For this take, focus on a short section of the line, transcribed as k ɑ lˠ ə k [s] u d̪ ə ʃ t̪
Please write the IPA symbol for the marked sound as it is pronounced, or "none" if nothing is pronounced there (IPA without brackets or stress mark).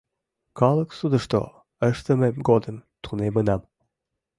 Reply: s